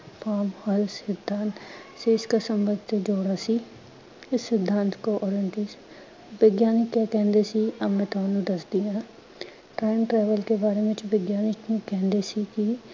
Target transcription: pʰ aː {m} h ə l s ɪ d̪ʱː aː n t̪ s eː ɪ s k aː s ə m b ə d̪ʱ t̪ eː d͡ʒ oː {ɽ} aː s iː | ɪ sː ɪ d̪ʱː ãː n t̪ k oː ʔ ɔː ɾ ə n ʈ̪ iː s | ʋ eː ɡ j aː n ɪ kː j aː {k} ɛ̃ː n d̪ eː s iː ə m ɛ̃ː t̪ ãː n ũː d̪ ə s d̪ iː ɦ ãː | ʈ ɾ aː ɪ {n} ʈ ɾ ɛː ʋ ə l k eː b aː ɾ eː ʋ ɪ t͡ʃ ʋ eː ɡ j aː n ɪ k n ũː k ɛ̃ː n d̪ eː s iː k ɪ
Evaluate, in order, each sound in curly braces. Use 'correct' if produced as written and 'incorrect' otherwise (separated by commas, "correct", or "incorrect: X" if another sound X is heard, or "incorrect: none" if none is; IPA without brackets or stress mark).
correct, correct, correct, incorrect: m